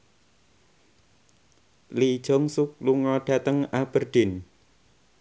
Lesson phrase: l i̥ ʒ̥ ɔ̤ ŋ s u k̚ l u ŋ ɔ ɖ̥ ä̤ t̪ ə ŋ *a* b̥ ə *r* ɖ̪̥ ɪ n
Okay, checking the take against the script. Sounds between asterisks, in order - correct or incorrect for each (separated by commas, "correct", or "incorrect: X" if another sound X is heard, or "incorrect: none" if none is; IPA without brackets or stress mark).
correct, correct